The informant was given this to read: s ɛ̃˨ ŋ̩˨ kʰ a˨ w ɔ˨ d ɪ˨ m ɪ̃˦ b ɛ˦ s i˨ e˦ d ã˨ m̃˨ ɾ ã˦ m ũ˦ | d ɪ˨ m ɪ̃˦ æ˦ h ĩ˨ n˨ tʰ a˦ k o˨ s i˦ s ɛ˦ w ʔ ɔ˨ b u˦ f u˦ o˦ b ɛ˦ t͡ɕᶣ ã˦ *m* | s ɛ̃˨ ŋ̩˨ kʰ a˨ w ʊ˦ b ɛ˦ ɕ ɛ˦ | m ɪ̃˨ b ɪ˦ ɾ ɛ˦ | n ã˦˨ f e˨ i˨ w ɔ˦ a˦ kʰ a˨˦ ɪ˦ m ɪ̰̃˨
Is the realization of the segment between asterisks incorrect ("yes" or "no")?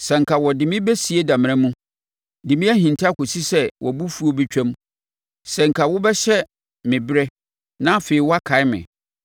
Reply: no